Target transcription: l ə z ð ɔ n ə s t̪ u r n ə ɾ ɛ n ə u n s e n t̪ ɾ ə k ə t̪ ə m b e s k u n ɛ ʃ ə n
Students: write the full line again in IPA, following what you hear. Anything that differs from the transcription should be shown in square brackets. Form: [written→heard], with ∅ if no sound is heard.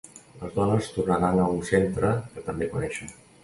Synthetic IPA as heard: l ə z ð ɔ n ə s t̪ u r n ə ɾ [ɛ→a] n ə u n s e n t̪ ɾ ə k ə t̪ ə m b e [s→∅] k u n ɛ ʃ ə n